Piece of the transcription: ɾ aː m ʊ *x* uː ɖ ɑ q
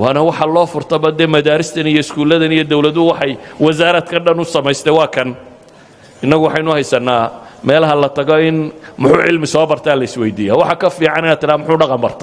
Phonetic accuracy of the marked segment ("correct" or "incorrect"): incorrect